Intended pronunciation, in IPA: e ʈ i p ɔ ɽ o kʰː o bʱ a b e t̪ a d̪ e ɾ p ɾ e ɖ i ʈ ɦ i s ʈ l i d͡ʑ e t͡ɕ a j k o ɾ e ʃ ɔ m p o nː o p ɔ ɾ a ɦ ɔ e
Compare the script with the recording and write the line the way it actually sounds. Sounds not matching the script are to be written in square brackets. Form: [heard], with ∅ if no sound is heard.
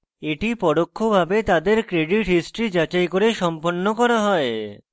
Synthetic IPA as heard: e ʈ i p ɔ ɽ o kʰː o bʱ a b e t̪ a d̪ e ɾ [k] ɾ e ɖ i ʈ ɦ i s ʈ [ɾ] i d͡ʑ [a] t͡ɕ a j k o ɾ e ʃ ɔ m p o nː o [k] ɔ ɾ a ɦ ɔ e